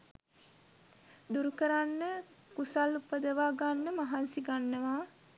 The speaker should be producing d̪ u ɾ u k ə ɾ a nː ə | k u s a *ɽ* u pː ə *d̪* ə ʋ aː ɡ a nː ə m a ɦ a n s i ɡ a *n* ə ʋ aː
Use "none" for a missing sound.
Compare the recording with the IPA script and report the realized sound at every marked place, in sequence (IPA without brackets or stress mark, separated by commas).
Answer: l, d̪, nː